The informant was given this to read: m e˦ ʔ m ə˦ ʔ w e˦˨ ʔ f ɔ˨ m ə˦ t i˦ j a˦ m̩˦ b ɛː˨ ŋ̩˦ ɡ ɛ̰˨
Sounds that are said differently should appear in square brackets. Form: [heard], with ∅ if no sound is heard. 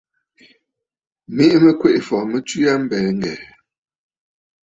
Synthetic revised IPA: m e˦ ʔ m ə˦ [k] w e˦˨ ʔ f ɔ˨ m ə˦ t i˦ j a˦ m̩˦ b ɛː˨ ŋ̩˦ ɡ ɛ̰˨